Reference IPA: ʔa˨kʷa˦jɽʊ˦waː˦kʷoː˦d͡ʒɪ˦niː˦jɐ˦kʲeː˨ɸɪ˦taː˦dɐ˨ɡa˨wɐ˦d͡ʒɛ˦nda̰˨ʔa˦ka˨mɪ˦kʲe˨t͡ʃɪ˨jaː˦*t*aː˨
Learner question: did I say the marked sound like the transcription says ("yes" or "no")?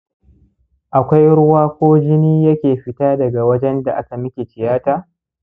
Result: yes